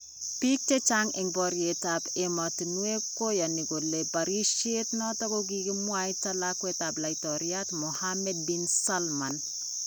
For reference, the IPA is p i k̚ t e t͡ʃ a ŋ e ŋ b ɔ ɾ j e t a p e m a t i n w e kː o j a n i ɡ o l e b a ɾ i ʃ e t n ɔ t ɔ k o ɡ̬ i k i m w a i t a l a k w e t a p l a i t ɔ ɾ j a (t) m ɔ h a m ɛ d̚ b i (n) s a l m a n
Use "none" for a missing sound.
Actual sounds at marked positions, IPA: t, n

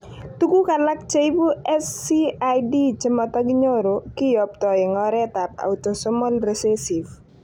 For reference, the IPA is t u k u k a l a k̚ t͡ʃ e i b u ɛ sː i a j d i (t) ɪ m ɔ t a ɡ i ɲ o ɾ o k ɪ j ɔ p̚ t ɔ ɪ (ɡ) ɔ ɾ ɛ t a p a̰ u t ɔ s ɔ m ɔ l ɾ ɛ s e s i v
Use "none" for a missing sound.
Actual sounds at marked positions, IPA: t͡ʃ, ŋ

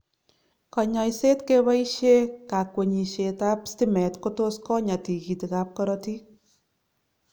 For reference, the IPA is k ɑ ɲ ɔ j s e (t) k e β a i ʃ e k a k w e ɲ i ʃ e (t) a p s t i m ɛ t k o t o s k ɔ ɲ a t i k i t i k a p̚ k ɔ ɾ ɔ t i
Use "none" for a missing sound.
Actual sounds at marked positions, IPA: t, t

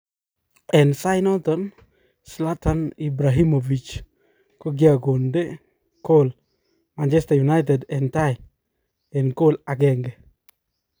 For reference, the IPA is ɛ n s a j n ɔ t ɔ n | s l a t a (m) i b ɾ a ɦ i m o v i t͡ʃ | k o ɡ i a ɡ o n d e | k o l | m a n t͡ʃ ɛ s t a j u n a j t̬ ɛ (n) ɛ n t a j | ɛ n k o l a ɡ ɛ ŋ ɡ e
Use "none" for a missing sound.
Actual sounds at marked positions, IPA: n, d

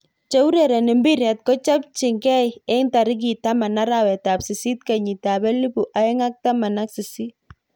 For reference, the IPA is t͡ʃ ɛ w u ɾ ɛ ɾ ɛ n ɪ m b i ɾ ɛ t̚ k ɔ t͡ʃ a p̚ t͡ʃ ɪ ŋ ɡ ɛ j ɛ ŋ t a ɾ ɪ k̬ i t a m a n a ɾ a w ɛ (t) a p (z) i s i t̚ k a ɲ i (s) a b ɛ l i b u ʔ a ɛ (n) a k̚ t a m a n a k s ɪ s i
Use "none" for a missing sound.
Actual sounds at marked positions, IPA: t, s, t, ŋ

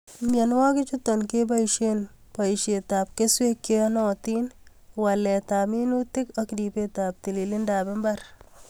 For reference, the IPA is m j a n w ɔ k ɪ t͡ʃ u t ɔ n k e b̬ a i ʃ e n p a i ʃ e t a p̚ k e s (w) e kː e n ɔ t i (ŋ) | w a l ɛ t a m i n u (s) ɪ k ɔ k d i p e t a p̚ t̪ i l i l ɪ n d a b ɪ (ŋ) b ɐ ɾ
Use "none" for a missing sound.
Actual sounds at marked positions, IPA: w, n, t, m

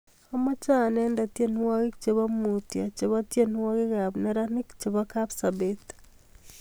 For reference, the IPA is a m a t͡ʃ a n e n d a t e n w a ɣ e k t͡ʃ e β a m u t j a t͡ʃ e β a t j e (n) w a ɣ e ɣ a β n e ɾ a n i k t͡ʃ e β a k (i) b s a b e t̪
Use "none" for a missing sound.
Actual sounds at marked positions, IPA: n, a

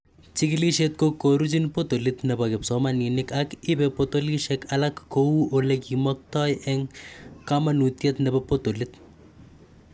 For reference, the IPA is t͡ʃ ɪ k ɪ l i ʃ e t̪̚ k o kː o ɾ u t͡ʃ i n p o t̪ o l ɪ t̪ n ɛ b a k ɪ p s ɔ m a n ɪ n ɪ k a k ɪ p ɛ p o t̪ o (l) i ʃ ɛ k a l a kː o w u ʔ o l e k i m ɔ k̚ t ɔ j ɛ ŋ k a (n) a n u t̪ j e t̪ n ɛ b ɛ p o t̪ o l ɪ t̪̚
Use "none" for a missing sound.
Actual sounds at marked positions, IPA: l, m

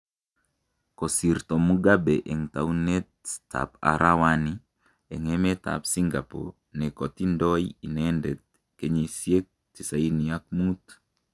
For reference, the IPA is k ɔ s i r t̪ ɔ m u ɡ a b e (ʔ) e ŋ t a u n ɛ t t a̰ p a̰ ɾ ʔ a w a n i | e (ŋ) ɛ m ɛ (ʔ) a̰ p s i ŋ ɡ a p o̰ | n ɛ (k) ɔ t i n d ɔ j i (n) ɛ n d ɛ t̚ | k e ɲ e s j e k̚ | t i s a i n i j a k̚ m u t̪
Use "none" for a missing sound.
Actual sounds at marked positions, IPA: ʔ, ŋ, t, k, n

